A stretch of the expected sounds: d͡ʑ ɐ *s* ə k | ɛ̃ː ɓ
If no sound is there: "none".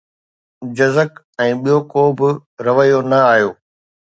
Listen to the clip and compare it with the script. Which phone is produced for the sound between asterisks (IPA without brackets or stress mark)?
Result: z